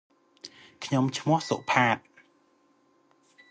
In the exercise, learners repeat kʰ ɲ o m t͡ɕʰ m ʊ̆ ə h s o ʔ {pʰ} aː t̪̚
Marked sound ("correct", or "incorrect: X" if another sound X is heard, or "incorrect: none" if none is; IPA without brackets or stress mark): correct